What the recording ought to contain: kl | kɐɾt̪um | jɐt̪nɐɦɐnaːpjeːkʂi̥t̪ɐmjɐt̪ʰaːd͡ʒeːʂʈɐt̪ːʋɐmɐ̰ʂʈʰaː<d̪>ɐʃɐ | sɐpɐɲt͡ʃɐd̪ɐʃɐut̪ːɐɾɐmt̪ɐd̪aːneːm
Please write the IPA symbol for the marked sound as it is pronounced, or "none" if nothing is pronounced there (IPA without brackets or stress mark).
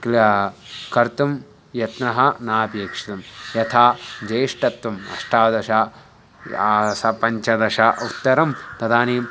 d̪